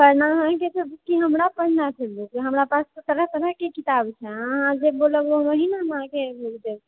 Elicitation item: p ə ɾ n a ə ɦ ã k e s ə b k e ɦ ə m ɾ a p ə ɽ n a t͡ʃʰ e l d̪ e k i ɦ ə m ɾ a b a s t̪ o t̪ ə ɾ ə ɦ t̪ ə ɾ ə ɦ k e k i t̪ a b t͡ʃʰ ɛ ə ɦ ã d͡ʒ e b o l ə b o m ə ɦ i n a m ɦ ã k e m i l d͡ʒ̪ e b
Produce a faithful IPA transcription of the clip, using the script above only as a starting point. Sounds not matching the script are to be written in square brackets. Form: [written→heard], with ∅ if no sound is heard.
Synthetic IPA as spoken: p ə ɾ n a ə ɦ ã k e s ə b k [e→i] ɦ ə m ɾ a p ə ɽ n a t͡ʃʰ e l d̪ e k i ɦ ə m ɾ a [b→p] a s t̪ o t̪ ə ɾ ə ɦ t̪ ə ɾ ə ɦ k e k i t̪ a b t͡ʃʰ ɛ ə ɦ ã d͡ʒ e b o l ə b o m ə ɦ i n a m ɦ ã k e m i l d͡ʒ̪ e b

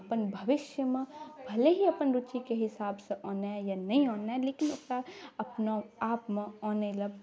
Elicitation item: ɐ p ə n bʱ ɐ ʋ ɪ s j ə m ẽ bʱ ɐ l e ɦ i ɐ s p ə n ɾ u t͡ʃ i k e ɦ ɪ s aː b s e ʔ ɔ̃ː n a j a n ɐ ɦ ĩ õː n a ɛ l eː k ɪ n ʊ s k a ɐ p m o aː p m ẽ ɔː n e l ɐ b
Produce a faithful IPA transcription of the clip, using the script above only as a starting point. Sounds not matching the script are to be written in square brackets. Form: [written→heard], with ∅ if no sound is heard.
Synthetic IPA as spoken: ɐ p ə n bʱ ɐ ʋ ɪ [s→ʃ] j ə m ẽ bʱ ɐ l e ɦ i ɐ [s→∅] p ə n ɾ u t͡ʃ i k e ɦ ɪ s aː b s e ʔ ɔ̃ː n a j a n ɐ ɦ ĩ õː n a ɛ l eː k ɪ n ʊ s k a ɐ p [m→n] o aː p m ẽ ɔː n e l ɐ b

